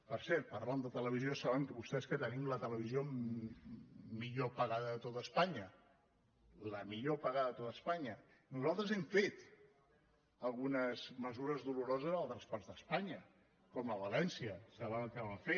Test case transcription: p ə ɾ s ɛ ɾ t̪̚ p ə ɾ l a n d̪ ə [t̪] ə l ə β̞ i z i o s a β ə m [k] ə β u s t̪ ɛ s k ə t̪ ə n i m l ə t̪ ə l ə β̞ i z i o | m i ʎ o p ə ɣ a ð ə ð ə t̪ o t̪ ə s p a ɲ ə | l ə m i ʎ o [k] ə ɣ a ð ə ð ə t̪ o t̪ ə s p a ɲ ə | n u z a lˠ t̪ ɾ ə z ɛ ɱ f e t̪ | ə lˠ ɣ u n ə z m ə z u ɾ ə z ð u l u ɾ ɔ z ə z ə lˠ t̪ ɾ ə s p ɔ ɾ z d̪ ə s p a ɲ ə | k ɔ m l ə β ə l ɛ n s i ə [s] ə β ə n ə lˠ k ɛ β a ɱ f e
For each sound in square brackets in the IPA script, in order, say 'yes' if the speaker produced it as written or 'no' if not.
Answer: yes, yes, no, yes

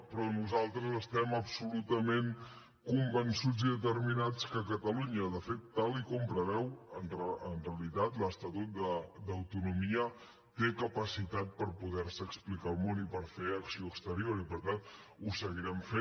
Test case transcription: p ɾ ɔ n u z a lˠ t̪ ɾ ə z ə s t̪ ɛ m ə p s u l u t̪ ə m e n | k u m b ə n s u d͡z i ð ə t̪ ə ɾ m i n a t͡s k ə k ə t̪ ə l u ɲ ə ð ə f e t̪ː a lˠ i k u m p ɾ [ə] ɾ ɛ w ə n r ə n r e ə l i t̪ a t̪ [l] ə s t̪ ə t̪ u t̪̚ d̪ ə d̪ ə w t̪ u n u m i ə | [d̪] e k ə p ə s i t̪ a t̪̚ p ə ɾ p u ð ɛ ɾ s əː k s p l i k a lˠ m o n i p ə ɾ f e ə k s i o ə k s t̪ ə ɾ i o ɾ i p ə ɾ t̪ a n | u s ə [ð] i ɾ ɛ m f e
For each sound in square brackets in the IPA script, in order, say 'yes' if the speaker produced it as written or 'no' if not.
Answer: yes, yes, no, no

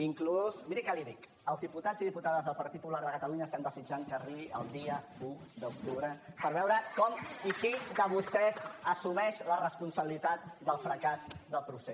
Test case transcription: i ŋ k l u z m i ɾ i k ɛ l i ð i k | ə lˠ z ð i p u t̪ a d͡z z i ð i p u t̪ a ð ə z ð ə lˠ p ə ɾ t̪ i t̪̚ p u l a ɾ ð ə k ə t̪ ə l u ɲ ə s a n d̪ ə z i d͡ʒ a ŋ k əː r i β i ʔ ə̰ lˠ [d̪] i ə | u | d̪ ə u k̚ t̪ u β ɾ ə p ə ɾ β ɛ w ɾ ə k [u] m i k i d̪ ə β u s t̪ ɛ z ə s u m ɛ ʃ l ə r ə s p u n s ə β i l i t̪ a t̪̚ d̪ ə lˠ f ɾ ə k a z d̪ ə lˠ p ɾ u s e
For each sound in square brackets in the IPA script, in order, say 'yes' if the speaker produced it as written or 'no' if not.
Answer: yes, no

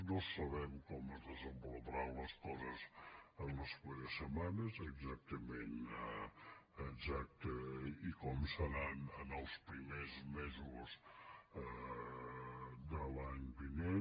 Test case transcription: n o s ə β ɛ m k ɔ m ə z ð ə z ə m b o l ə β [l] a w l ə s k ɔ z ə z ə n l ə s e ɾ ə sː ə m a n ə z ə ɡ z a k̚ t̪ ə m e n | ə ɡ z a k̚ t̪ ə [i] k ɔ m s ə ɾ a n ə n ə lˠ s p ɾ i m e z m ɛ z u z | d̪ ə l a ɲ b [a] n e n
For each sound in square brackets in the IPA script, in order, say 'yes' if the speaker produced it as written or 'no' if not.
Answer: no, yes, no

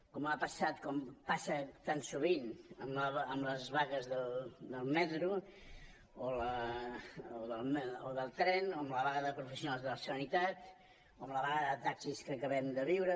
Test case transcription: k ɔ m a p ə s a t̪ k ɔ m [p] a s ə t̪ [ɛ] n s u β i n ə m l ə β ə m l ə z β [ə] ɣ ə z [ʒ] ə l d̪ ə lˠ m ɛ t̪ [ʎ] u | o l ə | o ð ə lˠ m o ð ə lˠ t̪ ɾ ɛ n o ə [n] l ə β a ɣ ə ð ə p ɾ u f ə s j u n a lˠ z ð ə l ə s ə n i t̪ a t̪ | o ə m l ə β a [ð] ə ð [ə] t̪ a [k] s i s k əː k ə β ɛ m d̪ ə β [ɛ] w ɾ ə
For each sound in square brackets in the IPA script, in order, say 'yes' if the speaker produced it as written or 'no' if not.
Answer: yes, no, no, no, no, no, no, yes, yes, no

